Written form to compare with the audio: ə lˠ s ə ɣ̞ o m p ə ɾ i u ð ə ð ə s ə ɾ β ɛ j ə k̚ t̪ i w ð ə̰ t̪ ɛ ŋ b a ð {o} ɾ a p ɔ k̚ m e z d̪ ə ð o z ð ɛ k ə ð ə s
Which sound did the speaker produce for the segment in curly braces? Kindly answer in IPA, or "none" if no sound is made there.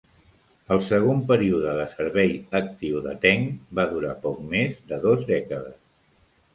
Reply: u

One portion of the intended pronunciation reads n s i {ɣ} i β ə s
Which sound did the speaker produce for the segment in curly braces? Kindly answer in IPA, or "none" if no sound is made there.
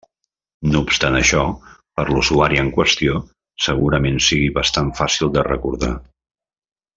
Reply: ɣ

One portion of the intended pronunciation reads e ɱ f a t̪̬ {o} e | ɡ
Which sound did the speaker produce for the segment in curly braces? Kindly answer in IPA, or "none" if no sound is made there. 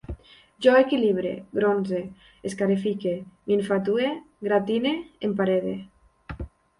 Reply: u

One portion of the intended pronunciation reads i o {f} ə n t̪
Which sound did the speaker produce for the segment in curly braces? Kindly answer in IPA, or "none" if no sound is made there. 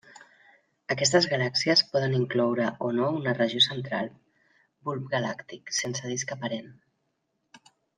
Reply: s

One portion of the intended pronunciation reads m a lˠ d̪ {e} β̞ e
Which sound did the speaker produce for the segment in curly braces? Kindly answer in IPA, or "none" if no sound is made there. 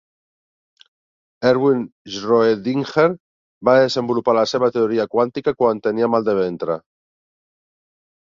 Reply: e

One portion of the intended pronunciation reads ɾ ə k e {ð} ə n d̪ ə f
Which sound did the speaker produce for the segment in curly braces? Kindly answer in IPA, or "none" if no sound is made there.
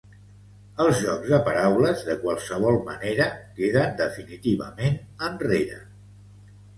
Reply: ð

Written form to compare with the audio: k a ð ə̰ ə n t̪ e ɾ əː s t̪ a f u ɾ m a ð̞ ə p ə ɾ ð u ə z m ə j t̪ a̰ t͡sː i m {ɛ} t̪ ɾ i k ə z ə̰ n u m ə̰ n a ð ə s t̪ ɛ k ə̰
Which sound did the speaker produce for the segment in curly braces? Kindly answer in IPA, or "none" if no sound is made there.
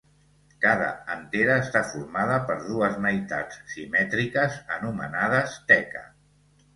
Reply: ɛ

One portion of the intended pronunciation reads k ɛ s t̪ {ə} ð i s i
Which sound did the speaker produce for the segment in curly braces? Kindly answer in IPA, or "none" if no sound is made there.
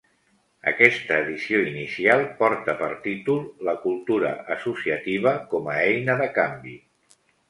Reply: əː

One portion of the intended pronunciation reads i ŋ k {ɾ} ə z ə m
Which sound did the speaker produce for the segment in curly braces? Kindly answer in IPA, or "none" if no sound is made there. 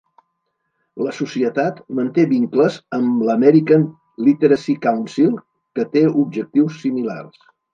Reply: l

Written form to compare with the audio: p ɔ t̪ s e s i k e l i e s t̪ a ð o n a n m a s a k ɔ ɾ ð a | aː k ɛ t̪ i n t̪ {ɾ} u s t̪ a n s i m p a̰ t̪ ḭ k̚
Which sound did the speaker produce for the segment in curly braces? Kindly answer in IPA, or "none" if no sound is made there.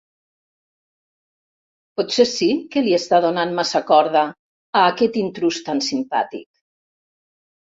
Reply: ɾ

